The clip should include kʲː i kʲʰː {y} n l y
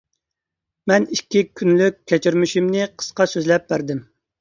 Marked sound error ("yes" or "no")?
no